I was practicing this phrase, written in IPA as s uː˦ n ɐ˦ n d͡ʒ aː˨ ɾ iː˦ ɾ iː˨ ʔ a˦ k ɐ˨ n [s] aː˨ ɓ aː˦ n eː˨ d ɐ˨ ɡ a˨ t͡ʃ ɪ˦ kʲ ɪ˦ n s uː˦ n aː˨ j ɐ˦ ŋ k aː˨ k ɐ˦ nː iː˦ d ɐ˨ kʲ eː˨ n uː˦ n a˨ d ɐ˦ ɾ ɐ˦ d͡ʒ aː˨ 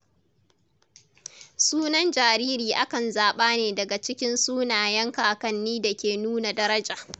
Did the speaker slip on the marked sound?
yes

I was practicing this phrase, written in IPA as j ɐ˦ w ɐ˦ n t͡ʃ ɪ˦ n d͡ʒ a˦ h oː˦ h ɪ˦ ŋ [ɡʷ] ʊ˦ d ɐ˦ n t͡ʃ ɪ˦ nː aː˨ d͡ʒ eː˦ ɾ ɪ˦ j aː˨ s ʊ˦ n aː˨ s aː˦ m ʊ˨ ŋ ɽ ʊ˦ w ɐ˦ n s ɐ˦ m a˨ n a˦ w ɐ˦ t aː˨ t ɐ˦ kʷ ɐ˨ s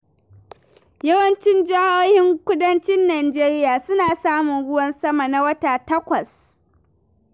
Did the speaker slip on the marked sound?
yes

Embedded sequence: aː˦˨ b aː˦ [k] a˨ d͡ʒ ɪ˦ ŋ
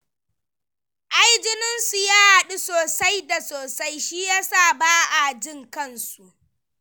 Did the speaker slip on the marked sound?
yes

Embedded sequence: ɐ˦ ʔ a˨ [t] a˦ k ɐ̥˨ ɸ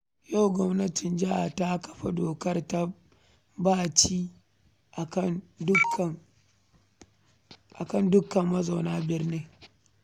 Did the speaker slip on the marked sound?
no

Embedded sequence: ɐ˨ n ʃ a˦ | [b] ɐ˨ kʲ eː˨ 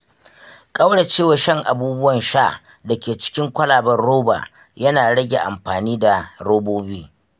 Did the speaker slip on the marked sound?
yes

